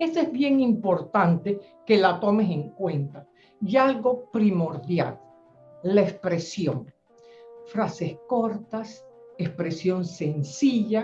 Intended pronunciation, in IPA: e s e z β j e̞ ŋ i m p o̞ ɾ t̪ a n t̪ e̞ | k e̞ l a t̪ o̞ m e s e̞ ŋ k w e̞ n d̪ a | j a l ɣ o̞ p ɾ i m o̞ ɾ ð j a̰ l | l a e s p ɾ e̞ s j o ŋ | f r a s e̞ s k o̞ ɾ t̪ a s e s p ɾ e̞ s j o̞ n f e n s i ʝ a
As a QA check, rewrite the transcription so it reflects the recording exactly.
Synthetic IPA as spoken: e s e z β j e̞ ŋ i m p o̞ ɾ t̪ a n t̪ e̞ | k e̞ l a t̪ o̞ m e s e̞ ŋ k w e̞ n t̪ a | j a l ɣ o̞ p ɾ i m o̞ ɾ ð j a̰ l | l a e s p ɾ e̞ s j o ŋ | f ɾ a s e̞ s k o̞ ɾ t̪ a s e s p ɾ e̞ s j o̞ n s e n s i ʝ a